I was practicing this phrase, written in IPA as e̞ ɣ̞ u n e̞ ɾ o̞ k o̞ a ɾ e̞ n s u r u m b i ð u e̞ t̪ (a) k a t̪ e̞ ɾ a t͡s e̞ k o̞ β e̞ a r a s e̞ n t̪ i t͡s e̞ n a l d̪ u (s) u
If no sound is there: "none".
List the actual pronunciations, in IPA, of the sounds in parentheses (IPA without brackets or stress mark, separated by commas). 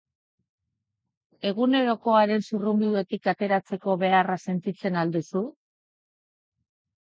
i, s